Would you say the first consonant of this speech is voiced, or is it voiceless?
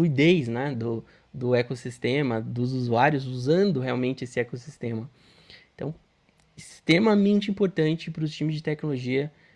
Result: voiced